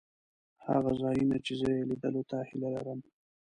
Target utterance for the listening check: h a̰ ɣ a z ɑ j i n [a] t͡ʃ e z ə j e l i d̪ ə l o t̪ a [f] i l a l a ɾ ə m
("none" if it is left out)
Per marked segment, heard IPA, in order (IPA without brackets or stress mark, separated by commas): a, h